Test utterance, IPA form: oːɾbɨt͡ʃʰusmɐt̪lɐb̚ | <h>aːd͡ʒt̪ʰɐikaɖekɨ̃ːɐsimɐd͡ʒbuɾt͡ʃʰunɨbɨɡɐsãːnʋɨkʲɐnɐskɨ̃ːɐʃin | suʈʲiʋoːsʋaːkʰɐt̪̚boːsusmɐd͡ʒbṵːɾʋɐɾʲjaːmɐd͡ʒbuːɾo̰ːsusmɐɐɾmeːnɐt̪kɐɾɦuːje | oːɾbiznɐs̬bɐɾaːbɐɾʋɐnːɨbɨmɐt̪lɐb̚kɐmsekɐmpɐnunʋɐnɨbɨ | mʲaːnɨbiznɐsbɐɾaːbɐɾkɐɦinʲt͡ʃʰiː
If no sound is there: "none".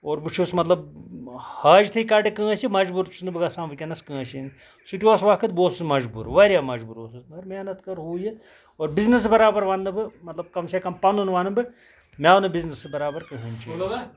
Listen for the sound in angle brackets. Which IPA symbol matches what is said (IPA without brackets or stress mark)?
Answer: h